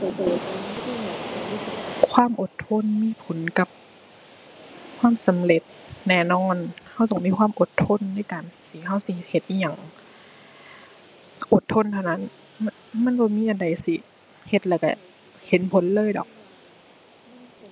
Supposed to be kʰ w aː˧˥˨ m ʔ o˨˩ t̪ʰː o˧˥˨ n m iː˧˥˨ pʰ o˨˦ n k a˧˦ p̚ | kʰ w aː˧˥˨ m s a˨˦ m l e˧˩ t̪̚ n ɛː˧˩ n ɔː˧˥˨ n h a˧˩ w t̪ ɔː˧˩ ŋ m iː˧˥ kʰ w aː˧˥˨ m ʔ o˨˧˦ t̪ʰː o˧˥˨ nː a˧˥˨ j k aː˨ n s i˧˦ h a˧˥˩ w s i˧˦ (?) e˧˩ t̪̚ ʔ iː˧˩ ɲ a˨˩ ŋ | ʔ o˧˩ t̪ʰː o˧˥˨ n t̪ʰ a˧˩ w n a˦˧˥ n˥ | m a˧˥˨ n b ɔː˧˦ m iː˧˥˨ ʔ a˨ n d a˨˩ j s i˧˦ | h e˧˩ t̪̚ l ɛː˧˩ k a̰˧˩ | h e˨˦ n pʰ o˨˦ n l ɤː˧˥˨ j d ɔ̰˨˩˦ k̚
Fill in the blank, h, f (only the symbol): h